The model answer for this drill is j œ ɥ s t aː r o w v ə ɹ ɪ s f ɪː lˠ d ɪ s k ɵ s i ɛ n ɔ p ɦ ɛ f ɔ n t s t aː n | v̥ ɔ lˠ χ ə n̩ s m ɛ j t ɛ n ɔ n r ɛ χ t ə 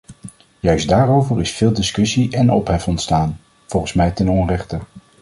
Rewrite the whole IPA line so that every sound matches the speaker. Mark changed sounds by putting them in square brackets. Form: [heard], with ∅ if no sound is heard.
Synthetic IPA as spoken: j œ ɥ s [d] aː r o w v ə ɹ ɪ s f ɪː lˠ d ɪ s k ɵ s i ɛ n ɔ p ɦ ɛ f ɔ n t s t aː n | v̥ ɔ lˠ χ ə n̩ s m ɛ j t ɛ n ɔ n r ɛ χ t ə